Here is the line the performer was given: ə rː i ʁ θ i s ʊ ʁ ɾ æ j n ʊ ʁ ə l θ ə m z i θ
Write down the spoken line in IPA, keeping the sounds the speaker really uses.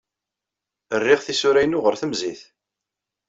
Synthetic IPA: ə rː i ʁ θ i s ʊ ɾ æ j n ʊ ʁ ə ɾ θ ə m z i θ